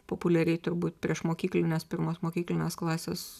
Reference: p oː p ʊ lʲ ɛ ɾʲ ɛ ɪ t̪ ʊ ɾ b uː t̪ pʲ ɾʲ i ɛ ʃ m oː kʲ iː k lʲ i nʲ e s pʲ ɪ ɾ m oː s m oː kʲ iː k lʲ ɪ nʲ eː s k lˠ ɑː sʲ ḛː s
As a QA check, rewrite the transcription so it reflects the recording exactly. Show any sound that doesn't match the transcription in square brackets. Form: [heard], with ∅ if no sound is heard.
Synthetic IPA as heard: p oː p ʊ lʲ ɛ ɾʲ ɛ ɪ t̪ ʊ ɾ b uː t̪ pʲ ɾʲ i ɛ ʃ m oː kʲ iː k lʲ [ɪ] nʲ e s pʲ ɪ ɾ m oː s m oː kʲ iː k lʲ ɪ nʲ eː s k lˠ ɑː sʲ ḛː s